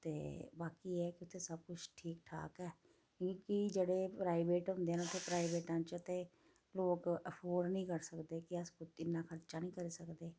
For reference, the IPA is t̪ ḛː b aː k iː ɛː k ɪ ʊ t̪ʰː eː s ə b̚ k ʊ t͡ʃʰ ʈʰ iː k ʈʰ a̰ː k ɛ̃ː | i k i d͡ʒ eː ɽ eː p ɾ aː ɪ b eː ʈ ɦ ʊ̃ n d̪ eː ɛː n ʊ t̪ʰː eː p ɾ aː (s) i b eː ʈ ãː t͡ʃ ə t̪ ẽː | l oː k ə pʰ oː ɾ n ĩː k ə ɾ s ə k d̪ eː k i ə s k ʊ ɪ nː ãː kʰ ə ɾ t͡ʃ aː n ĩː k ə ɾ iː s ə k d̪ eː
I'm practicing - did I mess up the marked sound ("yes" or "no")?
yes